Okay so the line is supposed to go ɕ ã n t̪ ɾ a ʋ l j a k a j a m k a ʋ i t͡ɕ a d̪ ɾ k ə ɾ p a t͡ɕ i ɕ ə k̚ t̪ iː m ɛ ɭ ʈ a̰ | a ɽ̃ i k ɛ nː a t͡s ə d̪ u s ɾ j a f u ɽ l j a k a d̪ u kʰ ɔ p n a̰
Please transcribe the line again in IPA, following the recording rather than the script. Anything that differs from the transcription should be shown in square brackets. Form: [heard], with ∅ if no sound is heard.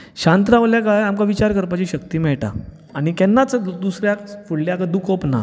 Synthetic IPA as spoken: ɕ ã n t̪ ɾ a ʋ l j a k a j a m k a ʋ i t͡ɕ a [∅] ɾ k ə ɾ p a t͡ɕ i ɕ ə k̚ t̪ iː m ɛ ɭ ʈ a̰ | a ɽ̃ i k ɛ nː a t͡s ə d̪ u s ɾ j a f u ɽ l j a k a d̪ u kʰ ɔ p n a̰